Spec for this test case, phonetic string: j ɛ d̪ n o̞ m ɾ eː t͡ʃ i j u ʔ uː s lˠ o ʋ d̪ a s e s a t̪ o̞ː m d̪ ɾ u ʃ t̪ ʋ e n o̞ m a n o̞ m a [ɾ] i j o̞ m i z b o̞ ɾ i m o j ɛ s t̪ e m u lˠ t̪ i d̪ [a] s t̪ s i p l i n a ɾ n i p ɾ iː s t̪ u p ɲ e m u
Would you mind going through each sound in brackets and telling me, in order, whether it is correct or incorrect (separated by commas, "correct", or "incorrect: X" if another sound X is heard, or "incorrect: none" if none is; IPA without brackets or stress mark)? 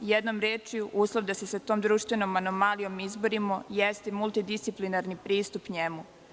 incorrect: l, incorrect: i